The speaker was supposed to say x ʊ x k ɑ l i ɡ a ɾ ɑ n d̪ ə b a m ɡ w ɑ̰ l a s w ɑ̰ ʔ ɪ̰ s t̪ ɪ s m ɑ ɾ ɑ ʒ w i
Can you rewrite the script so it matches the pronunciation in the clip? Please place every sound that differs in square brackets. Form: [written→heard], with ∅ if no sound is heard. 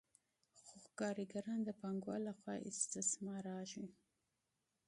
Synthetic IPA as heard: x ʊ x k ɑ [l→ɾ] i ɡ a ɾ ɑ n d̪ ə [b→p] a [m→ŋ] ɡ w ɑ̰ l a [s→x] w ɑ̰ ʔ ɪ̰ s t̪ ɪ s m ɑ ɾ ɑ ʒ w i